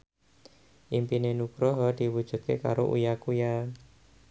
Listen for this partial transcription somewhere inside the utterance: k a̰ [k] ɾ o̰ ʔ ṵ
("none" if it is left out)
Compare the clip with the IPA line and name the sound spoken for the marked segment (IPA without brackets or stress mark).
none